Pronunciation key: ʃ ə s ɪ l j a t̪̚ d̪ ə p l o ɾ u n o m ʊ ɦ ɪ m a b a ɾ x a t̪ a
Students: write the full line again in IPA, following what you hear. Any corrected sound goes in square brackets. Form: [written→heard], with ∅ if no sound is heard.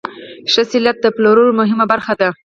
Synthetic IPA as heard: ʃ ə s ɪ l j a t̪̚ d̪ ə p l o ɾ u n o m ʊ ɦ ɪ m a b a ɾ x a [t̪→d̪] a